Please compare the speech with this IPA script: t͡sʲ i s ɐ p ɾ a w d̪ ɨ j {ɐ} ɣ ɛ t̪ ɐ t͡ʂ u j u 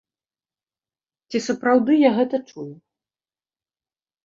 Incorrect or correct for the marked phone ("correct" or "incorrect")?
incorrect